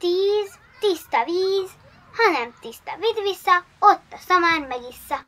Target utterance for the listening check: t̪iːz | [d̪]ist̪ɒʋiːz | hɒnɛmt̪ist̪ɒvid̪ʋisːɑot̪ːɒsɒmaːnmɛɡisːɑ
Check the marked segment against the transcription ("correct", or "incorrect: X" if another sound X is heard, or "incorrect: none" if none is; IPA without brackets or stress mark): incorrect: t̪